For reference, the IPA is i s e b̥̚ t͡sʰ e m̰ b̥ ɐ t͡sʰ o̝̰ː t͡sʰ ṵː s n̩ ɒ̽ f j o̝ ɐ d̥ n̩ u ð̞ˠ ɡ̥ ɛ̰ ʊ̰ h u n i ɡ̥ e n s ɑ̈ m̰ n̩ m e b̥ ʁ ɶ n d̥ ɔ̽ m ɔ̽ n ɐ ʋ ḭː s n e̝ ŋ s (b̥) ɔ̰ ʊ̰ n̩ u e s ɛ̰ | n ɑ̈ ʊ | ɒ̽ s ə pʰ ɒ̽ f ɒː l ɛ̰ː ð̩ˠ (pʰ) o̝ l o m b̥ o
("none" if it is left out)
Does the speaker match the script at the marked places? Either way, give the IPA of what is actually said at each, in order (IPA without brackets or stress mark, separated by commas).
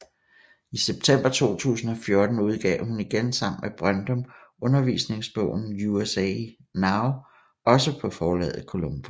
b̥, kʰ